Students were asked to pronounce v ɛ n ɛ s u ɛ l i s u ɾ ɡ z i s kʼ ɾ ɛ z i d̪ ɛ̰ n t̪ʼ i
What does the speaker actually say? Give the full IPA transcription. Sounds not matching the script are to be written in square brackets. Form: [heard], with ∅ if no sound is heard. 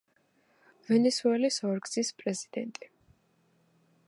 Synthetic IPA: v ɛ n ɛ s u ɛ l i s [ɔ] ɾ ɡ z i s [pʼ] ɾ ɛ z i d̪ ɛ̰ n t̪ʼ i